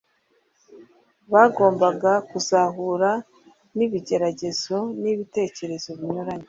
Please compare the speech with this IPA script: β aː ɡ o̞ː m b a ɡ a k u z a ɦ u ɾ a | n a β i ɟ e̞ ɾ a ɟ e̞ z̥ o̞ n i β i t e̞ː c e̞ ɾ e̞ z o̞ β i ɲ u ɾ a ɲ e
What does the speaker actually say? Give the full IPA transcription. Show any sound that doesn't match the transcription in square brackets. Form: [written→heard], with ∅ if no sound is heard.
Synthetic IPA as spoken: β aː ɡ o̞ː m b a ɡ a k u z a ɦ u ɾ a | n [a→i] β i ɟ e̞ ɾ a ɟ e̞ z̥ o̞ n i β i t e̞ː c e̞ ɾ e̞ z o̞ β i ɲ u ɾ a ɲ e